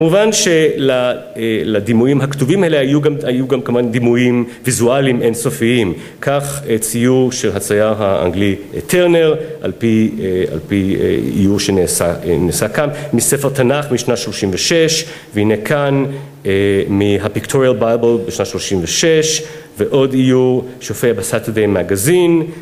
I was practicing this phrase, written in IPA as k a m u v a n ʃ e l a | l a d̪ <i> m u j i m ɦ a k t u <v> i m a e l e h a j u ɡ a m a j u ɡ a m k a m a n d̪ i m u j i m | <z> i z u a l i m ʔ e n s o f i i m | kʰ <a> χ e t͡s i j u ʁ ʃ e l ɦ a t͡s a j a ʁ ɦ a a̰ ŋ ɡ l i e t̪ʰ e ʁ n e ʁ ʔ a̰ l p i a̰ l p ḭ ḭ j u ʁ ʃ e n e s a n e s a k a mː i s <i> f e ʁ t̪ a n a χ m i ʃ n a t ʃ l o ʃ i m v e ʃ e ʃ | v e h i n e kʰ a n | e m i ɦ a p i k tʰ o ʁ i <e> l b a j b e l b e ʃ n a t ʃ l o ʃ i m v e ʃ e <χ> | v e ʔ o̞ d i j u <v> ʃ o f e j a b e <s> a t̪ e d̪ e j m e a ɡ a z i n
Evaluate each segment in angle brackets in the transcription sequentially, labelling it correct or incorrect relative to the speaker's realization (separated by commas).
correct, correct, incorrect, correct, incorrect, incorrect, incorrect, incorrect, correct